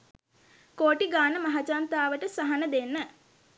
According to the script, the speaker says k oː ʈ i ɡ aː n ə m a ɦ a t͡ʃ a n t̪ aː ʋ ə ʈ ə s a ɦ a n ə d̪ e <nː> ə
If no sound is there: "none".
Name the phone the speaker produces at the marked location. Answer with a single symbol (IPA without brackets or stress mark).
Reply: nː